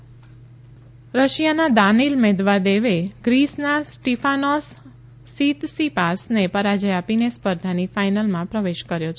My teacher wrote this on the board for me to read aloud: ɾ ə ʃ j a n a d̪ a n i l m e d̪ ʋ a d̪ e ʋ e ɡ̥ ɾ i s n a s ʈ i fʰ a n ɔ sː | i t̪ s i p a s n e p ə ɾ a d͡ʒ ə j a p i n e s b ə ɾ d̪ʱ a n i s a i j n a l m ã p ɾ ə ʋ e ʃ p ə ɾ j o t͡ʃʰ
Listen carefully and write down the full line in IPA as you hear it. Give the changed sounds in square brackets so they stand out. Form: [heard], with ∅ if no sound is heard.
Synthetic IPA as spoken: ɾ ə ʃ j a n a d̪ a n i l m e d̪ ʋ a d̪ e ʋ e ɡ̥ ɾ i s n a s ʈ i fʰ a n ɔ sː | i t̪ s i p a s n e p ə ɾ a d͡ʒ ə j a p i n e s [p] ə ɾ d̪ʱ a n i [f] a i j n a l m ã p ɾ ə ʋ e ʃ [k] ə ɾ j o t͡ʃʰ